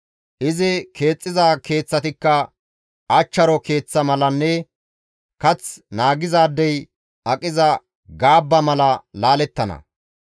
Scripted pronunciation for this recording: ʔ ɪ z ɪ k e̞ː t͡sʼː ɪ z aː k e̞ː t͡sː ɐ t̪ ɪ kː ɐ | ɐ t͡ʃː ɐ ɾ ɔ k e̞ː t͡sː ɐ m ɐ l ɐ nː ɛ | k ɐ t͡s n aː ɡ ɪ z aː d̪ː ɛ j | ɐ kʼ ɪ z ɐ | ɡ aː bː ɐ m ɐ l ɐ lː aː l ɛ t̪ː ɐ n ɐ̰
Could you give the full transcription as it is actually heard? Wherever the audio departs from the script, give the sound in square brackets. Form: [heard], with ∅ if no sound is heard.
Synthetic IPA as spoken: ʔ ɪ z ɪ k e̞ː t͡sʼː ɪ z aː k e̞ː t͡sː ɐ t̪ ɪ kː ɐ | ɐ t͡ʃː ɐ ɾ ɔ k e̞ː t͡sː ɐ m ɐ l ɐ nː ɛ | k ɐ t͡s n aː ɡ ɪ z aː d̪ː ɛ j | ɐ kʼ ɪ z ɐ | ɡ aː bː ɐ m ɐ l ɐ [l] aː l ɛ t̪ː ɐ n ɐ̰